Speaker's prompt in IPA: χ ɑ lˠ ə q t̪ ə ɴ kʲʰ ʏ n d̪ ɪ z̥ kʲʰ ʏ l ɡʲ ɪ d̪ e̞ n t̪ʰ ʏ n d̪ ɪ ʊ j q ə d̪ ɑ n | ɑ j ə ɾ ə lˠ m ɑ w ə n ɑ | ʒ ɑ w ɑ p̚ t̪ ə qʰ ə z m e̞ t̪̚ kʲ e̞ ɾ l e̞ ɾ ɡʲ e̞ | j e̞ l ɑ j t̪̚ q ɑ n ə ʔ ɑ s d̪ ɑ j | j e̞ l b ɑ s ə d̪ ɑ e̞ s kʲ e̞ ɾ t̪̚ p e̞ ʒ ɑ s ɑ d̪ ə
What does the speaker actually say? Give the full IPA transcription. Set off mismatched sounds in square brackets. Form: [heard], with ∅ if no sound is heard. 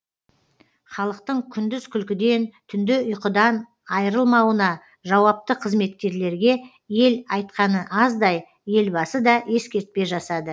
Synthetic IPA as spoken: χ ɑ lˠ ə q t̪ ə ɴ kʲʰ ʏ n d̪ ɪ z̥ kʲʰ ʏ l [kʲ] ɪ d̪ e̞ n t̪ʰ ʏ n d̪ ɪ ʊ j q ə d̪ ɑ n | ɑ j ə ɾ ə lˠ m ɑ w ə n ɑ | ʒ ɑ w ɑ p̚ t̪ ə qʰ ə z m e̞ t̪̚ kʲ e̞ ɾ l e̞ ɾ ɡʲ e̞ | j e̞ l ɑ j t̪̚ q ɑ n ə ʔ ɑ [z] d̪ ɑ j | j e̞ l b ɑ s ə d̪ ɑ e̞ s kʲ e̞ ɾ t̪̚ p e̞ ʒ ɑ s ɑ d̪ ə

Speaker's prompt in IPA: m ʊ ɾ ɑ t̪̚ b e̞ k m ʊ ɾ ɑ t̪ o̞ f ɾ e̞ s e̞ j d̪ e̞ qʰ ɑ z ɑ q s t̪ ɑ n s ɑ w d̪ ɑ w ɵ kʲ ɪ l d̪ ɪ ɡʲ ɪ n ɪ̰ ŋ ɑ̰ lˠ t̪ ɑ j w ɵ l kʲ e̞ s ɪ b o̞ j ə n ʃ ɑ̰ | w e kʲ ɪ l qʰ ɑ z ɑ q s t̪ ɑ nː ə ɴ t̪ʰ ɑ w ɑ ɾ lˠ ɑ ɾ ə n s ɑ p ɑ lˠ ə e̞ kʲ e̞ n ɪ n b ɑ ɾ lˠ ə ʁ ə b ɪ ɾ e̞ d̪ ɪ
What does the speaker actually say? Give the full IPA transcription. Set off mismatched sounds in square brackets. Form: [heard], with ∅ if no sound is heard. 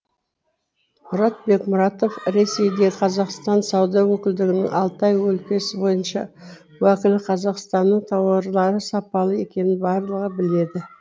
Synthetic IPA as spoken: m ʊ ɾ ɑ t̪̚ b e̞ k m ʊ ɾ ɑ t̪ o̞ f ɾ e̞ s e̞ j d̪ e̞ qʰ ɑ z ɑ q s t̪ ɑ n s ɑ w d̪ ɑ w ɵ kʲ ɪ l d̪ ɪ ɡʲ ɪ n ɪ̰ ŋ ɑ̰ lˠ t̪ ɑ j w ɵ l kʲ e̞ s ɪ b o̞ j ə n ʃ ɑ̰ | w [æ] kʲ ɪ l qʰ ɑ z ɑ q s t̪ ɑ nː ə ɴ t̪ʰ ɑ w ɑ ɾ lˠ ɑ ɾ ə [∅] s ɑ p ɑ lˠ ə e̞ kʲ e̞ n ɪ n b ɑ ɾ lˠ ə ʁ ə b ɪ [l] e̞ d̪ ɪ

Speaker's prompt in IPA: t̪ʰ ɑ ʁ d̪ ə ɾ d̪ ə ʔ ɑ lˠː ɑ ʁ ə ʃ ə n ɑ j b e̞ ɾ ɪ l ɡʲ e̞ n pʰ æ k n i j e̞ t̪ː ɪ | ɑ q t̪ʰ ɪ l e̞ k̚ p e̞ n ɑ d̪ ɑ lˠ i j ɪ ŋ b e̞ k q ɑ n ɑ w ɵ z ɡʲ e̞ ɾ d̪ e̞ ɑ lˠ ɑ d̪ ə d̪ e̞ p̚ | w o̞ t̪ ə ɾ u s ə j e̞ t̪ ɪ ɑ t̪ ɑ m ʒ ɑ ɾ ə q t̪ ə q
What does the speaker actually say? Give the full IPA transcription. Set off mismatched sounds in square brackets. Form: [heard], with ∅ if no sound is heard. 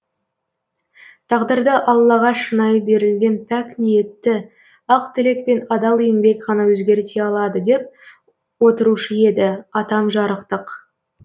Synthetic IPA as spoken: t̪ʰ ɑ ʁ d̪ ə ɾ d̪ ə ʔ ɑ lˠː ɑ ʁ [ɑ] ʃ ə n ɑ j b e̞ ɾ ɪ l ɡʲ e̞ n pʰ æ k n i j e̞ t̪ː ɪ | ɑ q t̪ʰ ɪ l e̞ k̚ p e̞ n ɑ d̪ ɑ lˠ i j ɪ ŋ b e̞ k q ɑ n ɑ w ɵ z ɡʲ e̞ ɾ [t̪] e̞ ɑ lˠ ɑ d̪ ə d̪ e̞ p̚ | w o̞ t̪ ə ɾ u [ʃ] ə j e̞ [d̪] ɪ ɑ t̪ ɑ m ʒ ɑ ɾ ə q t̪ ə q

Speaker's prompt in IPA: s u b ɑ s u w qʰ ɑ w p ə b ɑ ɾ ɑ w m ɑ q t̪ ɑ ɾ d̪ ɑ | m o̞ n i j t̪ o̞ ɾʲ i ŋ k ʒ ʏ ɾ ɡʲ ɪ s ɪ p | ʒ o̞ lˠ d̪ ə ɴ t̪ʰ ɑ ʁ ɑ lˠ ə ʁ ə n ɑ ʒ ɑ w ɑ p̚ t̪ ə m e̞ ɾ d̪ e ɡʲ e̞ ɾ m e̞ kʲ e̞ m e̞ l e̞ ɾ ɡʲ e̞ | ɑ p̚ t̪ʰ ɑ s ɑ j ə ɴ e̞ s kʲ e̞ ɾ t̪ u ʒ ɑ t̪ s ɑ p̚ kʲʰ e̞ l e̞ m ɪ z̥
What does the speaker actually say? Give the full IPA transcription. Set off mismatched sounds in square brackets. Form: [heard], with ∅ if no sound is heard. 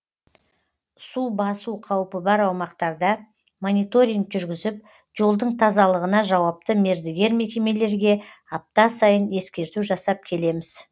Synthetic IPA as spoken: s u b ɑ s u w qʰ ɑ w p ə b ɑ ɾ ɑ w m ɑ q t̪ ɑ ɾ d̪ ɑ | m o̞ n i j t̪ o̞ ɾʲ i ŋ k ʒ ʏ ɾ ɡʲ ɪ [z] ɪ p | ʒ o̞ lˠ d̪ ə ɴ t̪ʰ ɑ [z] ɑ lˠ ə ʁ ə n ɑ ʒ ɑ w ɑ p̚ t̪ ə m e̞ ɾ d̪ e ɡʲ e̞ ɾ m e̞ kʲ e̞ m e̞ l e̞ ɾ ɡʲ e̞ | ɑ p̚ [t̪] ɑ s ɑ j ə [n] e̞ s kʲ e̞ ɾ t̪ u ʒ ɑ [∅] s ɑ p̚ kʲʰ e̞ l e̞ m ɪ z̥

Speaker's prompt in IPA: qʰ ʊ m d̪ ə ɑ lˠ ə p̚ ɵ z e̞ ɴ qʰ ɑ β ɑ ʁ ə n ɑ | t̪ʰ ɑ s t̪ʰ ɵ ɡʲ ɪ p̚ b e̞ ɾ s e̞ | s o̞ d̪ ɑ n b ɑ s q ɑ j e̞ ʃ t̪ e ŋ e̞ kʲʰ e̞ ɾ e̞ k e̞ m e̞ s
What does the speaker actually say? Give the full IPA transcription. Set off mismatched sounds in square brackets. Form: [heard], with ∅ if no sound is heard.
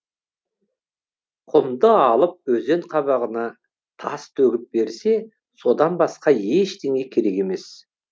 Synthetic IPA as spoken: qʰ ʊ m d̪ ə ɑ lˠ ə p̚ ɵ z e̞ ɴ qʰ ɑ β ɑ ʁ ə n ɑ | t̪ʰ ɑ s t̪ʰ ɵ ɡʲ ɪ p̚ b e̞ ɾ s e̞ | s o̞ d̪ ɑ n b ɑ s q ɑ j e̞ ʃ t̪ e ŋ e̞ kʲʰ e̞ ɾ e̞ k e̞ m e̞ s

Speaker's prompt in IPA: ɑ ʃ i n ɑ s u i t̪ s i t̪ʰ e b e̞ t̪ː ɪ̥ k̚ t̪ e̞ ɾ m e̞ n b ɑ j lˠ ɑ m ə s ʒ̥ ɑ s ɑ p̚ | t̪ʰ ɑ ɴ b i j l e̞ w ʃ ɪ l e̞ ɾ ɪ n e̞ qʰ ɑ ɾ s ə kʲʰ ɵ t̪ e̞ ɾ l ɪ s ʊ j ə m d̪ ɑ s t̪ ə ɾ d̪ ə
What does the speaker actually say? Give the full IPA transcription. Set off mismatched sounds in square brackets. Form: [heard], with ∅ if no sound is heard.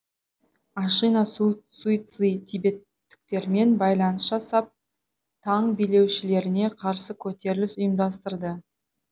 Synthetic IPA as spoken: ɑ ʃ i n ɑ s u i t̪ s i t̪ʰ [i] b e̞ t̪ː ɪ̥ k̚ t̪ e̞ ɾ m e̞ n b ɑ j lˠ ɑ [n] ə s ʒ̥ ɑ s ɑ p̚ | t̪ʰ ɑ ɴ b i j l e̞ w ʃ ɪ l e̞ ɾ ɪ n e̞ qʰ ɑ ɾ s ə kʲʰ ɵ t̪ e̞ ɾ l ɪ s ʊ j ə m d̪ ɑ s t̪ ə ɾ d̪ ə

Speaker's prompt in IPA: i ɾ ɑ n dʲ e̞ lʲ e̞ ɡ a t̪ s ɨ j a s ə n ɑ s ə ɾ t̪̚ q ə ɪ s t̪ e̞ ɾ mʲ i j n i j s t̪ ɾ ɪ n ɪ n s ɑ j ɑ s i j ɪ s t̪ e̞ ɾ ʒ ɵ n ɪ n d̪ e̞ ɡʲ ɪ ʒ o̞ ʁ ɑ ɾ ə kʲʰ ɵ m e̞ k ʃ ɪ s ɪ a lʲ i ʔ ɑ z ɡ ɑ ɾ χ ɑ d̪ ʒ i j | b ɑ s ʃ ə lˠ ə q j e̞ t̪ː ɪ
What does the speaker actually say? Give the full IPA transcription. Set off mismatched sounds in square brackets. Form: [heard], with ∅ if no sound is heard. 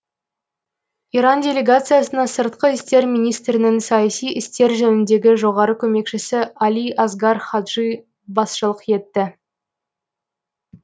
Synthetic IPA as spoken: i ɾ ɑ n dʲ e̞ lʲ e̞ ɡ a t̪ s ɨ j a s ə n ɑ s ə ɾ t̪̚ q ə ɪ s t̪ e̞ ɾ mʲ i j n i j s t̪ ɾ ɪ n ɪ [ŋ] s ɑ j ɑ s i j ɪ s t̪ e̞ ɾ ʒ ɵ n ɪ n d̪ e̞ ɡʲ ɪ ʒ o̞ ʁ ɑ ɾ ə kʲʰ ɵ m e̞ k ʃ ɪ s ɪ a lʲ i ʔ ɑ z ɡ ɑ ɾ χ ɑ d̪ ʒ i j | b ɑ s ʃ ə lˠ ə q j e̞ t̪ː ɪ

